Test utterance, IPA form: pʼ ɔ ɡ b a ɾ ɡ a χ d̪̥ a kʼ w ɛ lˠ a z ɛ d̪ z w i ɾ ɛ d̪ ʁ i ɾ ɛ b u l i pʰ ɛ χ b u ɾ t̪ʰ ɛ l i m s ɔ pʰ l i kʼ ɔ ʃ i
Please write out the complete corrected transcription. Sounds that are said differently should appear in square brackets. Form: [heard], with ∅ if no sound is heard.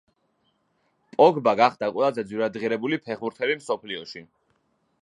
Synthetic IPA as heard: pʼ ɔ ɡ b a [∅] ɡ a χ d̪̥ a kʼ w ɛ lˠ a z ɛ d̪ z w i ɾ [a] d̪ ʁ i ɾ ɛ b u l i pʰ ɛ χ b u ɾ t̪ʰ ɛ l i m s ɔ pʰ l i [∅] ɔ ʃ i